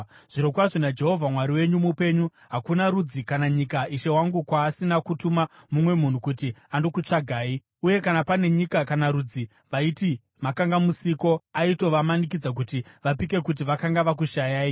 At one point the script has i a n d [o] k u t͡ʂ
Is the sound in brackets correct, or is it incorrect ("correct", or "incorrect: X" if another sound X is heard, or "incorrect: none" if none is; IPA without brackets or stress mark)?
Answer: correct